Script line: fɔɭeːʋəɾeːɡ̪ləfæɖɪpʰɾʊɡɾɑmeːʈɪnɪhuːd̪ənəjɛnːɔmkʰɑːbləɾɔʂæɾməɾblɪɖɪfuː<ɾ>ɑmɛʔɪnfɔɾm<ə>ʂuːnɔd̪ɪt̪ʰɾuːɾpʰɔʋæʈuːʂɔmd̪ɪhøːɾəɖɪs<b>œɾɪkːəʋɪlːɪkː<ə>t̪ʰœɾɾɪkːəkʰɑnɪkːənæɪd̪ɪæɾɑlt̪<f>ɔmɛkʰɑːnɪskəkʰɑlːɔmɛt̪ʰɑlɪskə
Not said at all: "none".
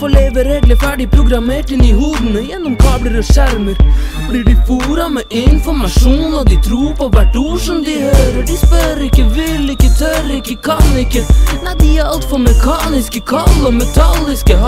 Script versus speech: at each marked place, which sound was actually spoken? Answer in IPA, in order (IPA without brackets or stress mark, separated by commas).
ɾ, ɑ, p, ə, f